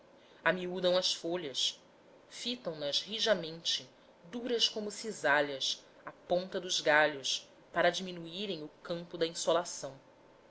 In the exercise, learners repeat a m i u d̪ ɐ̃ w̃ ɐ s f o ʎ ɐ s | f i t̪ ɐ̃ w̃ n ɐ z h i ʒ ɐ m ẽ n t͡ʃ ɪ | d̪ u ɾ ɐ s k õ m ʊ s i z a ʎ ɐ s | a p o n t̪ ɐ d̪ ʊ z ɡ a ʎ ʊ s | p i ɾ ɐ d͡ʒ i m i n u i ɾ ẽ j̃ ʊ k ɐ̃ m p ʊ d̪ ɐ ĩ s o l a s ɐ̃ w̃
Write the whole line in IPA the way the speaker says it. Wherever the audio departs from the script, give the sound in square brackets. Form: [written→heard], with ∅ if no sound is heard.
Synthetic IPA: a m i u d̪ ɐ̃ w̃ ɐ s f o ʎ ɐ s | f i t̪ ɐ̃ w̃ n ɐ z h i ʒ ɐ m ẽ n t͡ʃ ɪ | d̪ u ɾ ɐ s k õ m ʊ s i z a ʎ ɐ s | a p [o→õ] n t̪ ɐ d̪ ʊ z ɡ a ʎ ʊ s | p [i→a] ɾ ɐ d͡ʒ i m i n u i ɾ ẽ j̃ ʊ k ɐ̃ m p ʊ d̪ ɐ ĩ s o l a s ɐ̃ w̃